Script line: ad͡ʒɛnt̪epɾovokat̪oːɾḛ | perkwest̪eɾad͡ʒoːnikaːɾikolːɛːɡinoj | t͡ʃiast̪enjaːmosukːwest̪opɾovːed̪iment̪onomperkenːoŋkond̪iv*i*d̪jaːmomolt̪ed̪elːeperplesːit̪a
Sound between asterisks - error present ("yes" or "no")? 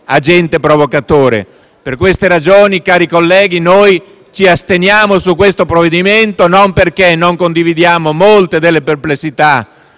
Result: no